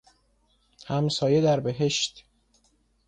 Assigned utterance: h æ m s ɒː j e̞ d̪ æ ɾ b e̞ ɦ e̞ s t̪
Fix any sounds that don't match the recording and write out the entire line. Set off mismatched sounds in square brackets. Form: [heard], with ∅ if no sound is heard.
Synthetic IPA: h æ m s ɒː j e̞ d̪ æ ɾ b e̞ ɦ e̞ [ʃ] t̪